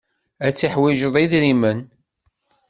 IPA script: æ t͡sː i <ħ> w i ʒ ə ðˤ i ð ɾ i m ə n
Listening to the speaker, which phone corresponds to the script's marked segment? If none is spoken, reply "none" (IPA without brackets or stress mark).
ħ